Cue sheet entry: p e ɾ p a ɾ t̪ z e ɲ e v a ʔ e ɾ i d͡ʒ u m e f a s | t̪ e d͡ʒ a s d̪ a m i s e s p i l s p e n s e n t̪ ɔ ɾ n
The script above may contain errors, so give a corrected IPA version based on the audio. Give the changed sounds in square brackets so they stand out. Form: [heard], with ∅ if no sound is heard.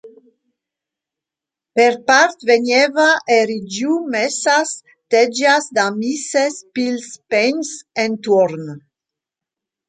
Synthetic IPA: p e ɾ p a ɾ t̪ [v] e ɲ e v a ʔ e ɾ i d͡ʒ u m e [s] a s | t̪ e d͡ʒ a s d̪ a m i s e s p i l s p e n s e n t̪ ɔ ɾ n

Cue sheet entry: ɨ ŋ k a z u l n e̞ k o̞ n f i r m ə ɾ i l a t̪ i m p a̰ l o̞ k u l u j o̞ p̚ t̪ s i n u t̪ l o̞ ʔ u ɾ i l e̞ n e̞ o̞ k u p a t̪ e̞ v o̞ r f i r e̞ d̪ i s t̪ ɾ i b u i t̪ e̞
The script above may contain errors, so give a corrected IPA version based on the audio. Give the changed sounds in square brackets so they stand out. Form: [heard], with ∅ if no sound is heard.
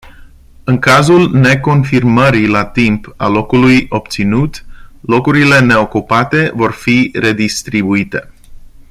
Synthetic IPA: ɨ ŋ k a z u l n e̞ k o̞ n f i r m ə ɾ i l a t̪ i m p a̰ l o̞ k u l u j o̞ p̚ t̪ s i n u t̪ l o̞ [k] u ɾ i l e̞ n e̞ o̞ k u p a t̪ e̞ v o̞ r f i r e̞ d̪ i s t̪ ɾ i b u i t̪ e̞

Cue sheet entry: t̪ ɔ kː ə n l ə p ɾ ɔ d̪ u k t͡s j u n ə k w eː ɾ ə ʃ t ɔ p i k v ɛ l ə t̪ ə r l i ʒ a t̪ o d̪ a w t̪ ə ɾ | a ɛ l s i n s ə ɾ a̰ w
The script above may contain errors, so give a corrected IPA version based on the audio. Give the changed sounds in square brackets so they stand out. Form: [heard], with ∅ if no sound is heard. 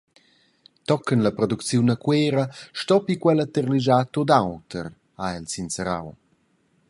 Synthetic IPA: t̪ ɔ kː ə n l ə p ɾ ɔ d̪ u k t͡s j u n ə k w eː ɾ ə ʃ t ɔ p i k [w] ɛ l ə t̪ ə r l i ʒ a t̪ o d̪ a w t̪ ə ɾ | a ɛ l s i n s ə ɾ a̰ w

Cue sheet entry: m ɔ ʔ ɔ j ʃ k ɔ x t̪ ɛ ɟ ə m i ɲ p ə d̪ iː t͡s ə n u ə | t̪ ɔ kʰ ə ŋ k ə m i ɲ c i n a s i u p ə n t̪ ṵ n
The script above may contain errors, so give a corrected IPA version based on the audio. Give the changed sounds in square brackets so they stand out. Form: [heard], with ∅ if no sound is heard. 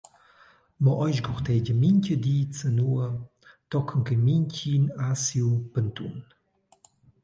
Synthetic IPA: m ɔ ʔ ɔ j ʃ [ɡ] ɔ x t̪ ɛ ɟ ə m i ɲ [c] ə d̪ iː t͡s ə n u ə | t̪ ɔ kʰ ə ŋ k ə m i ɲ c i n a s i u p ə n t̪ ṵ n

